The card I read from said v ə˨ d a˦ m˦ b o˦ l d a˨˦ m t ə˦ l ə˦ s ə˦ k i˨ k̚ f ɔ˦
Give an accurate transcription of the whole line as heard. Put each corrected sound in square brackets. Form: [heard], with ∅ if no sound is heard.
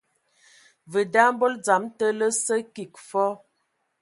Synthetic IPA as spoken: v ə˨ d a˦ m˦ b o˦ l [d͡z] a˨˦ m t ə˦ l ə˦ s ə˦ k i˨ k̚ f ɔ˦